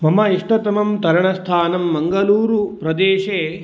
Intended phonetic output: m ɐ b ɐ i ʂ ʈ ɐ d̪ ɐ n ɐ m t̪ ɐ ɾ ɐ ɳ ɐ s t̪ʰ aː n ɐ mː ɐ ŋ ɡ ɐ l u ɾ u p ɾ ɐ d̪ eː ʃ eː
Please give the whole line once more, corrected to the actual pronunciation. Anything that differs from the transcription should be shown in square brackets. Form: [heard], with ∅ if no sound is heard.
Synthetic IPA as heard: m ɐ [m] ɐ i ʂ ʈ ɐ [t̪] ɐ [m] ɐ m t̪ ɐ ɾ ɐ ɳ ɐ s t̪ʰ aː n ɐ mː ɐ ŋ ɡ ɐ l [uː] ɾ u p ɾ ɐ d̪ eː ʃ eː